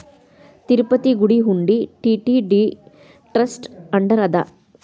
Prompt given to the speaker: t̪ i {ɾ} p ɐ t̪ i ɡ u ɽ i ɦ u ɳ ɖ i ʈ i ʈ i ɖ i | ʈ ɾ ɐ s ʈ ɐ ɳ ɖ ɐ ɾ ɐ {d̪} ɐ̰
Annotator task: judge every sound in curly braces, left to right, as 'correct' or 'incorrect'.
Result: correct, correct

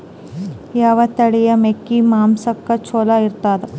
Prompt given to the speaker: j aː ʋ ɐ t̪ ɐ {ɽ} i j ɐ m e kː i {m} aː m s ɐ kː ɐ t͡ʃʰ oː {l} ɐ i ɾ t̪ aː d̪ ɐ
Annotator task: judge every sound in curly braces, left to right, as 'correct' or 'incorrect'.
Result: correct, correct, correct

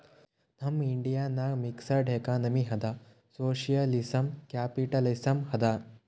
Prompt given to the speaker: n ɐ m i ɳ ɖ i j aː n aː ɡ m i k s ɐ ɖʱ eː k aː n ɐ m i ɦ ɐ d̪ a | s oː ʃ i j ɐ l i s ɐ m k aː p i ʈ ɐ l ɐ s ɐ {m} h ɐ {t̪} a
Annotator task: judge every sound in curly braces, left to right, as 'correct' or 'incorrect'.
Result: correct, incorrect

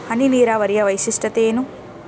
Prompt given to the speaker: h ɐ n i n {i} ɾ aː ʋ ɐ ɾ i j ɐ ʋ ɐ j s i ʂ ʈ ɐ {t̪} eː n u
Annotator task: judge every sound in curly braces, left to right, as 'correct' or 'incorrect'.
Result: incorrect, correct

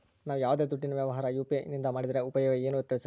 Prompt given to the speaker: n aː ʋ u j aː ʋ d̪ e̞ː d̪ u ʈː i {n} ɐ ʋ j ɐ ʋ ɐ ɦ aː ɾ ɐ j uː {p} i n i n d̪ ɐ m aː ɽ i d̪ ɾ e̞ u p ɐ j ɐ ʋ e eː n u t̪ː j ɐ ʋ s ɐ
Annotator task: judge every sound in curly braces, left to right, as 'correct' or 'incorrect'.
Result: correct, correct

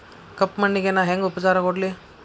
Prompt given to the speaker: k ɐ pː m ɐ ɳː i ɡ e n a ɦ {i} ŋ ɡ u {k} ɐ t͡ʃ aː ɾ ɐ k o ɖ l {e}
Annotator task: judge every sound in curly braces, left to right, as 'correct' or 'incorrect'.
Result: incorrect, incorrect, incorrect

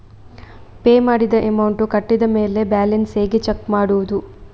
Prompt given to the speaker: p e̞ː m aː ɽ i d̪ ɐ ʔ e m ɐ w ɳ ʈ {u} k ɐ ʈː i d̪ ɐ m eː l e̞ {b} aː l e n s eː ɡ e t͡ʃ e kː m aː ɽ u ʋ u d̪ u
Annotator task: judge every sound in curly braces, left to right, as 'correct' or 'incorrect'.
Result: correct, correct

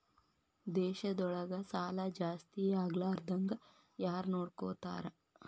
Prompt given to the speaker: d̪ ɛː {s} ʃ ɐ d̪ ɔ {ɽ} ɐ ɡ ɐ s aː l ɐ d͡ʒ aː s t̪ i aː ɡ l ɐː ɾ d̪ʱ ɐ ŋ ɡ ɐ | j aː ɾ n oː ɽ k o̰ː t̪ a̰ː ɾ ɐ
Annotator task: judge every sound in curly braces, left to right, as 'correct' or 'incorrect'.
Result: incorrect, incorrect

